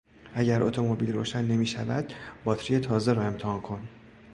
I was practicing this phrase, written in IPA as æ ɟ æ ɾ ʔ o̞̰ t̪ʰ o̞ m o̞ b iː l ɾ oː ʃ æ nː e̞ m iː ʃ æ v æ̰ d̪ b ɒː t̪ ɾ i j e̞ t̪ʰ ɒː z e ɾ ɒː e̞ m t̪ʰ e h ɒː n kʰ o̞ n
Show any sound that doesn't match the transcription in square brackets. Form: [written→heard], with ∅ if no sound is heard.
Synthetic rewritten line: æ ɟ æ ɾ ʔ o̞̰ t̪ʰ o̞ m o̞ b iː l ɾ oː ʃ æ nː e̞ m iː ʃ æ v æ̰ d̪ b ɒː t̪ ɾ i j e̞ t̪ʰ ɒː z e ɾ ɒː e̞ m t̪ʰ e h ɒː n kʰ o̞ n